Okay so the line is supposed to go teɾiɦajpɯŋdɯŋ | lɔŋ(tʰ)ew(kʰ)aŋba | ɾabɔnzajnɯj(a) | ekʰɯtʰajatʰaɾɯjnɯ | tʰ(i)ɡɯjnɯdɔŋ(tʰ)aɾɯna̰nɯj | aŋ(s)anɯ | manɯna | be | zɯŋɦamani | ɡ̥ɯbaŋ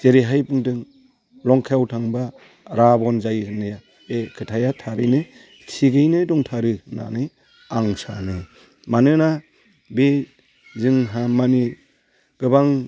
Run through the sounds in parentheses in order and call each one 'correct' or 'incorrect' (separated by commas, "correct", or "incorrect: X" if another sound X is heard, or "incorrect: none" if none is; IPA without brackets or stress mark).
incorrect: kʰ, incorrect: tʰ, correct, correct, correct, correct